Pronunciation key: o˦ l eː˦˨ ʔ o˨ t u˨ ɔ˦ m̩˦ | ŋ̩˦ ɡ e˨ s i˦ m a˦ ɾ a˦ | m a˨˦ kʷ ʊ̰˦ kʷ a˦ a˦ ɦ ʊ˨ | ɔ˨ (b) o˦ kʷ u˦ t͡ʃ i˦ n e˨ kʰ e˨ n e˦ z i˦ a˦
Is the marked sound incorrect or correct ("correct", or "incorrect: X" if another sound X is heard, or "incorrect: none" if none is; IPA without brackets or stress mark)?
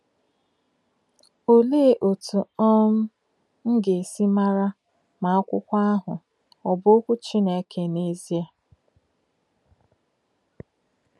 correct